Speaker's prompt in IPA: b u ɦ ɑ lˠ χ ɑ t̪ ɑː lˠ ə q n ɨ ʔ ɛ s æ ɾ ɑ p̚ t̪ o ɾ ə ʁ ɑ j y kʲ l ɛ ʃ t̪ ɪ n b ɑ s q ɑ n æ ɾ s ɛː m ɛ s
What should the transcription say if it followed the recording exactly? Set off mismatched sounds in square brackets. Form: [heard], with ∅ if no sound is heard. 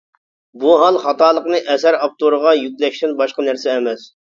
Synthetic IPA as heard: b u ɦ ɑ lˠ χ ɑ t̪ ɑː lˠ ə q n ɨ ʔ ɛ s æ ɾ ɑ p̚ t̪ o ɾ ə ʁ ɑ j y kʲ l ɛ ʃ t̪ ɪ n b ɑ [ʃ] q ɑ n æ ɾ s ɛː m ɛ s